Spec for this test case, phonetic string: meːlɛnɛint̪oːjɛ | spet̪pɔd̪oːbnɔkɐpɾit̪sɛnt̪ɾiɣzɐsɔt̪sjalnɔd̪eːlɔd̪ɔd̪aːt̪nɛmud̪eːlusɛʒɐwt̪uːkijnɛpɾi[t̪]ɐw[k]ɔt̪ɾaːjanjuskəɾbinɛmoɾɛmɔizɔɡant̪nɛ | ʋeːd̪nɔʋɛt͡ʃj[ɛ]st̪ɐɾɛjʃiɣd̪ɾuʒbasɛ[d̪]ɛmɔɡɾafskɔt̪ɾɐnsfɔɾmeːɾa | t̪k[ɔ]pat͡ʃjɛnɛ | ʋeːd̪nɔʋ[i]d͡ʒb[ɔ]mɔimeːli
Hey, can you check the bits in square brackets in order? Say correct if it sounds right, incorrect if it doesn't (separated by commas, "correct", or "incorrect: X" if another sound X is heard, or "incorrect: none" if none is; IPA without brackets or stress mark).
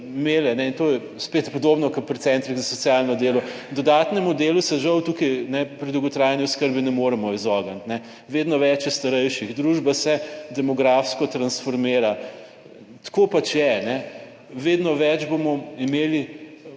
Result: incorrect: d̪, incorrect: ɡ, correct, correct, incorrect: o, incorrect: ɛ, incorrect: o